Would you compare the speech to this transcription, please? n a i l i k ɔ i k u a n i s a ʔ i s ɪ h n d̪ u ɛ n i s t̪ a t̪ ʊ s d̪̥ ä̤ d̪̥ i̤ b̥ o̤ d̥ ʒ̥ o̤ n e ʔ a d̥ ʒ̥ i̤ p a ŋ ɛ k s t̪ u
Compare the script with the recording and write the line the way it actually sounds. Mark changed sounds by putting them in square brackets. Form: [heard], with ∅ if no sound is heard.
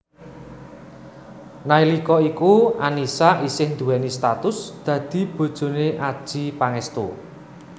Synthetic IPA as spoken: n a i l i k ɔ i k u a n i s a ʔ i s ɪ h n d̪ u ɛ n i s t̪ a t̪ ʊ s d̪̥ ä̤ d̪̥ i̤ b̥ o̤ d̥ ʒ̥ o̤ n e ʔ a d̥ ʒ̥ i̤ p a ŋ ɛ [∅] s t̪ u